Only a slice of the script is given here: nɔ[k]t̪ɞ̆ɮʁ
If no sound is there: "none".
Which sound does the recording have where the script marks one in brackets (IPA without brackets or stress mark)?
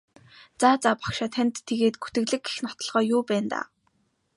none